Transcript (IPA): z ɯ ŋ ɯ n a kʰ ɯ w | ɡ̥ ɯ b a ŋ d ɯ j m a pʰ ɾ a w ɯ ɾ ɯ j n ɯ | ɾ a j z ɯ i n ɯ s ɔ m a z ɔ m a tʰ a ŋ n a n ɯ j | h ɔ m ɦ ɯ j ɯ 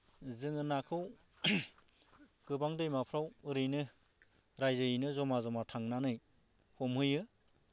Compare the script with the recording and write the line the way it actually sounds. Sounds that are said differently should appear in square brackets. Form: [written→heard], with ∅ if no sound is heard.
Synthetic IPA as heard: z ɯ ŋ ɯ n a kʰ ɯ w | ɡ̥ ɯ b a ŋ d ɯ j m a pʰ ɾ a w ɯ ɾ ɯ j n ɯ | ɾ a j z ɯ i n ɯ [s→z] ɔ m a z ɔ m a tʰ a ŋ n a n ɯ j | h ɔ m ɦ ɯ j ɯ